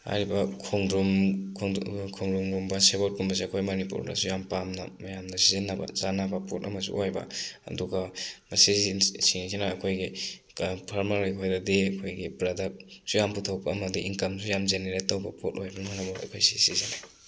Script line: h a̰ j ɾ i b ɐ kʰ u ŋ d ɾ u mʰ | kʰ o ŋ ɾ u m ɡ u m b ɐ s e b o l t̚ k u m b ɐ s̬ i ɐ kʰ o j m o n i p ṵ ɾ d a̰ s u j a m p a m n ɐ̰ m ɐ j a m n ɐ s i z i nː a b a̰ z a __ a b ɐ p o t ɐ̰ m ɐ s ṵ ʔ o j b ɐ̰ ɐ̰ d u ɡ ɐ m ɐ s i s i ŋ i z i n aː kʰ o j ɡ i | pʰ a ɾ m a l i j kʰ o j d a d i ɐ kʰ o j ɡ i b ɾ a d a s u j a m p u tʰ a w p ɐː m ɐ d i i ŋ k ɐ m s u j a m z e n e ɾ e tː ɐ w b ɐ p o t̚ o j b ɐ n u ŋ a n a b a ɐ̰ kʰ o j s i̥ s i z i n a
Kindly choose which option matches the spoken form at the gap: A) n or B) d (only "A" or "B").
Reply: A